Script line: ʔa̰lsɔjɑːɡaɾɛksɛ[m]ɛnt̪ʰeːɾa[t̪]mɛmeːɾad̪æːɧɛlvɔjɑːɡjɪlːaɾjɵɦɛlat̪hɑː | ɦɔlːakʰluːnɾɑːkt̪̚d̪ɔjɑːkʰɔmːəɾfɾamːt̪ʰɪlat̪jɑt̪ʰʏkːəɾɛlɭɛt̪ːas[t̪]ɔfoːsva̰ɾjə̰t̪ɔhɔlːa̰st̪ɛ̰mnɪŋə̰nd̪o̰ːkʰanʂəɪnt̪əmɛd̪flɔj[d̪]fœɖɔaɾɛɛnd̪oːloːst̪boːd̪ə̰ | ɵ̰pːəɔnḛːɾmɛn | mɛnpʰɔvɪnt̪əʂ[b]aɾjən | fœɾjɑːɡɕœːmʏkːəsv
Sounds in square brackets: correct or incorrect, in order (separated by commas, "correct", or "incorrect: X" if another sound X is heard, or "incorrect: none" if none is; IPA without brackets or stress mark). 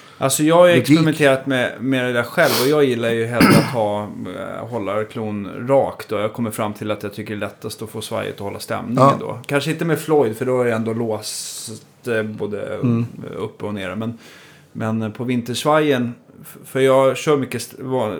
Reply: correct, correct, correct, correct, incorrect: v